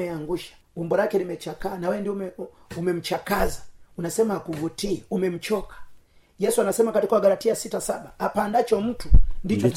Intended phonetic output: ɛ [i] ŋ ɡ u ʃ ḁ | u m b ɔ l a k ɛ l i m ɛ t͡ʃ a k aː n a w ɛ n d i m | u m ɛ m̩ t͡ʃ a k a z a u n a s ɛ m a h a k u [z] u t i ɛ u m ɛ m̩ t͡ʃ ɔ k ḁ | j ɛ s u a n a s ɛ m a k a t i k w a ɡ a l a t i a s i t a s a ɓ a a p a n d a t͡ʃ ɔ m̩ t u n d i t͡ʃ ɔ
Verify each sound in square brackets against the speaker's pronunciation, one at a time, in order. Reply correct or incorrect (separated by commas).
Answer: incorrect, incorrect